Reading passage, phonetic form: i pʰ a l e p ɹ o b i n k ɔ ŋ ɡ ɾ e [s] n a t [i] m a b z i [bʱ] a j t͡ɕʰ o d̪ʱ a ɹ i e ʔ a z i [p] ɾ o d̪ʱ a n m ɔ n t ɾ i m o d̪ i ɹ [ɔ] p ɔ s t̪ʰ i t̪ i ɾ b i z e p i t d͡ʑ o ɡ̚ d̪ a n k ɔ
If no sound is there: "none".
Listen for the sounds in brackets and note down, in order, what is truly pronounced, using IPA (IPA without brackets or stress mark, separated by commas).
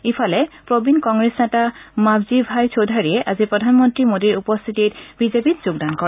s, a, bʱ, p, u